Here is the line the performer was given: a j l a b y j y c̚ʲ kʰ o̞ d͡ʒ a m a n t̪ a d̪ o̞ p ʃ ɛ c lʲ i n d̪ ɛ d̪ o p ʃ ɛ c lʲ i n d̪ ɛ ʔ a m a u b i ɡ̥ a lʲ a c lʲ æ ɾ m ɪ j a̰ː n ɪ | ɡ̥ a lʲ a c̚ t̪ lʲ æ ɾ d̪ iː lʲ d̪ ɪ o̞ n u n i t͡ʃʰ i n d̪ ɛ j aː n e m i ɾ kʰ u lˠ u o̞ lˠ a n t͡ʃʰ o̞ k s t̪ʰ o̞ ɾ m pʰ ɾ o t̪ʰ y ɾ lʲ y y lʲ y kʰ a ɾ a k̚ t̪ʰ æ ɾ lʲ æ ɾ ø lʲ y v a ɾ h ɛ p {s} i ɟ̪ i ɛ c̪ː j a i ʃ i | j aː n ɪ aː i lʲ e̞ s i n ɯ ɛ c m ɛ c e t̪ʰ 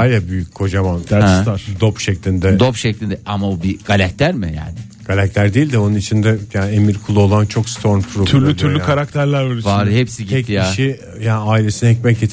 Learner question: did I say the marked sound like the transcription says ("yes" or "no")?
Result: yes